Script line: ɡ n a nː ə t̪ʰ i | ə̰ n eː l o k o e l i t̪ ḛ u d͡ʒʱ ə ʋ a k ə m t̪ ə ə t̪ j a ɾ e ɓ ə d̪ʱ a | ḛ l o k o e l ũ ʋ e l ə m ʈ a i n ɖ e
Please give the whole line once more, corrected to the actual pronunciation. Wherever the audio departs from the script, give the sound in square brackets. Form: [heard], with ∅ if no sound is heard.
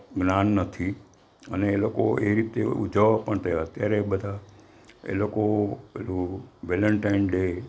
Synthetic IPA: ɡ n a nː ə t̪ʰ i | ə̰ n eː l o k o e [ɾ] i t̪ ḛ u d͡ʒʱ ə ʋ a [p] ə [ɳ] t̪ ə ə t̪ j a ɾ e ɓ ə d̪ʱ a | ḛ l o k o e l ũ ʋ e l ə [ɳ] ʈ a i n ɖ e